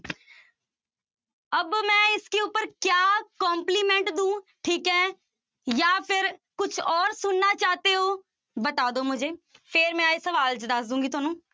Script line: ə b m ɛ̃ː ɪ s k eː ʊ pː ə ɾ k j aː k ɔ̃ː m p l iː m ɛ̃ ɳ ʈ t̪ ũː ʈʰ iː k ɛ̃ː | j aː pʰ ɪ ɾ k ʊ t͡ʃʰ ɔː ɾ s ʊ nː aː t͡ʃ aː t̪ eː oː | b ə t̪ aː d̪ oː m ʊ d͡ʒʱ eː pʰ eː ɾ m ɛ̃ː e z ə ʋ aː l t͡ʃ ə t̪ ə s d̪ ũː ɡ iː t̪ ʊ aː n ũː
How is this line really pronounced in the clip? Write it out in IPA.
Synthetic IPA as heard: ə b m ɛ̃ː ɪ s k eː ʊ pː ə ɾ k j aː k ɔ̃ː m p l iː m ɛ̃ ɳ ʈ d̪ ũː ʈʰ iː k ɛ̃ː | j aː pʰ ɪ ɾ k ʊ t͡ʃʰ ɔː ɾ s ʊ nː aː t͡ʃ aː t̪ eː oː | b ə t̪ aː d̪ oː m ʊ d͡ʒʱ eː pʰ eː ɾ m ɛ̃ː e s ə ʋ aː l t͡ʃ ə d̪ ə s d̪ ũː ɡ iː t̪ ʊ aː n ũː